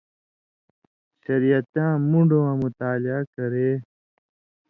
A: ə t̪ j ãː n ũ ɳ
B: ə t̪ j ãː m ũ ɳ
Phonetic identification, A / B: B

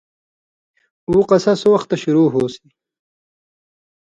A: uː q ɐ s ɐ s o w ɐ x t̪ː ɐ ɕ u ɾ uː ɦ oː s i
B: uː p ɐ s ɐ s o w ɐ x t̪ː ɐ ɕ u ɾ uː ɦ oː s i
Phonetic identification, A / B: A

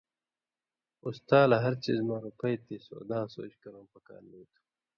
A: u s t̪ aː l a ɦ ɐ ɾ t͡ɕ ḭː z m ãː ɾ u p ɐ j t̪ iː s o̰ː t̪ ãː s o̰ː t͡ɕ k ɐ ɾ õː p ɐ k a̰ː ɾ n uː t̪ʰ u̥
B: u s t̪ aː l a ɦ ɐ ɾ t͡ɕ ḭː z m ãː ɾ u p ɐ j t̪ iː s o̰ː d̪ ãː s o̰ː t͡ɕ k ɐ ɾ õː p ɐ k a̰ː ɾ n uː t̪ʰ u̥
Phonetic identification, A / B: B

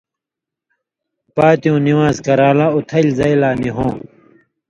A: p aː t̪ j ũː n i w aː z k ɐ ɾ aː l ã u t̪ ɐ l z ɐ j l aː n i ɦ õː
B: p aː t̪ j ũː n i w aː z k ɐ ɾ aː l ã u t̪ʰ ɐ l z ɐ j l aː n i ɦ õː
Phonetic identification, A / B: B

